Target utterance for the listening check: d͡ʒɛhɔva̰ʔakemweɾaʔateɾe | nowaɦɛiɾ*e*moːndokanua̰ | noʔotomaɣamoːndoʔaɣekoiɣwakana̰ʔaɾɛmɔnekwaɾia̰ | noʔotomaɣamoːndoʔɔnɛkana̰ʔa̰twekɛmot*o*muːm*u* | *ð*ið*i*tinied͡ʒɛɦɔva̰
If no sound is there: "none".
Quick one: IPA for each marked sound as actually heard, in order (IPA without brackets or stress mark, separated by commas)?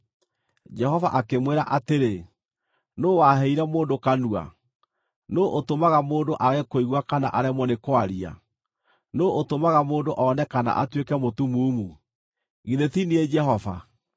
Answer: ɛ, u, u, ɣ, e